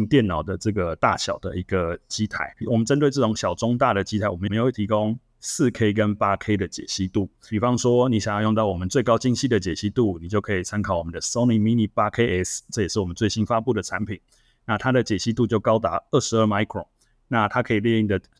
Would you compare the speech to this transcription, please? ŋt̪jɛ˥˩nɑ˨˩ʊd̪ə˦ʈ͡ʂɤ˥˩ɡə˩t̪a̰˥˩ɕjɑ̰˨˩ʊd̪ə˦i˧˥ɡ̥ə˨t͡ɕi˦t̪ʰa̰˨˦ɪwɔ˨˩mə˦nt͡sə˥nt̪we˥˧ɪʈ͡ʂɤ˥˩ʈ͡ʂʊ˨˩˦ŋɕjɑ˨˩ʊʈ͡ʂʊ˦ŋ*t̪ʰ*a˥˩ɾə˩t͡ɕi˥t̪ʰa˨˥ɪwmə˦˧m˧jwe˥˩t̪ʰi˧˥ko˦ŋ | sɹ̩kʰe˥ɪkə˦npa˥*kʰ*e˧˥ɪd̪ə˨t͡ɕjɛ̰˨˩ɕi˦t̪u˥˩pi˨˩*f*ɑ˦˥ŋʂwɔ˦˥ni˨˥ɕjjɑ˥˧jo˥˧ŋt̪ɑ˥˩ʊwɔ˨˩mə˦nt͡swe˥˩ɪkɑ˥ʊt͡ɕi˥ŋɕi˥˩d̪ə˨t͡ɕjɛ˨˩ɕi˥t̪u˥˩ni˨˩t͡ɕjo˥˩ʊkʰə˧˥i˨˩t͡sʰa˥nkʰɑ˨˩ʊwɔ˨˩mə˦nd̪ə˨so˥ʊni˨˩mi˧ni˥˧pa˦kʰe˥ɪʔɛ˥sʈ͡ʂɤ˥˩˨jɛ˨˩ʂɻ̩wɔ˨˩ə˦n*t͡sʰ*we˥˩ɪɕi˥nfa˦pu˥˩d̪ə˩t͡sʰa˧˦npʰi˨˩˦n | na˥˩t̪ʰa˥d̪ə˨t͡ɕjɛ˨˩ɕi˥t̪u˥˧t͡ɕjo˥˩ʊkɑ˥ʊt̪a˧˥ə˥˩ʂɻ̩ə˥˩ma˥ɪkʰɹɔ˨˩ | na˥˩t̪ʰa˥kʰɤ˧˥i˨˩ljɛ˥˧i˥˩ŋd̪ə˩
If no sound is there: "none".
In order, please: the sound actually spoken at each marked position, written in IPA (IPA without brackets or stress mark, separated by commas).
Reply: t̪, kʰ, f, t͡s